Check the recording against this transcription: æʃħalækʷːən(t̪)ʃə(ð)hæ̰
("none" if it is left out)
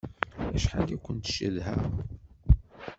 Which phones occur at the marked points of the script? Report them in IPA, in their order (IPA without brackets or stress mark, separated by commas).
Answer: t̪, ð